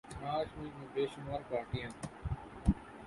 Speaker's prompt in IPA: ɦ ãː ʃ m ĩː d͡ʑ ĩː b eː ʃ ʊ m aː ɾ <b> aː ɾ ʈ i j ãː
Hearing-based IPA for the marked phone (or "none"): p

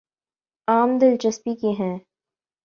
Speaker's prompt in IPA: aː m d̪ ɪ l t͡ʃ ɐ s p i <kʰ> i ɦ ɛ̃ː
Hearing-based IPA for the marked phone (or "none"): k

